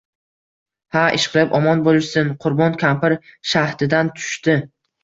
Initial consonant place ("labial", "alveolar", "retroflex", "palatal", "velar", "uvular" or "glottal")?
glottal